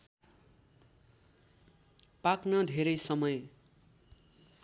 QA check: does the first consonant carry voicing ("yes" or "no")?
no